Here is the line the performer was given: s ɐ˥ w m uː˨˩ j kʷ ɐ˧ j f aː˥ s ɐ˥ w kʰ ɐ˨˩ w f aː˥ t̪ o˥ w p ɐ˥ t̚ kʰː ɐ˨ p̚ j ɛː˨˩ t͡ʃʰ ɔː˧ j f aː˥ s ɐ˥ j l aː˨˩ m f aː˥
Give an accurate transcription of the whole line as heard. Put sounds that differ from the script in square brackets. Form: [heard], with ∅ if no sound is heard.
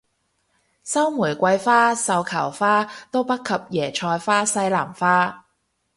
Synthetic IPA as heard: s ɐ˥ w m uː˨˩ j kʷ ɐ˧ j f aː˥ s [ɐ˨˧] w kʰ ɐ˨˩ w f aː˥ t̪ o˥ w p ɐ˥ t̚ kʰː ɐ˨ p̚ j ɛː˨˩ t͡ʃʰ ɔː˧ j f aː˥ s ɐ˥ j l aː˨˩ m f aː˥